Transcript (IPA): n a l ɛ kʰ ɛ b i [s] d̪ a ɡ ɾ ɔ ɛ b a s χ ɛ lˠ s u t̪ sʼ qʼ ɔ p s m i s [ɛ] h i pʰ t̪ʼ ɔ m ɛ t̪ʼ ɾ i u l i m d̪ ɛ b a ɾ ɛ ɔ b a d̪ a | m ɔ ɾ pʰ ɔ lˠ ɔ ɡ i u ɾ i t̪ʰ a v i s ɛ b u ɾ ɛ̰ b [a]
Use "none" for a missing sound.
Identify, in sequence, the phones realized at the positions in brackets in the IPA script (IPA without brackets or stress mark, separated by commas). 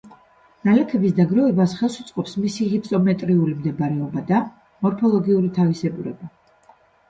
s, i, a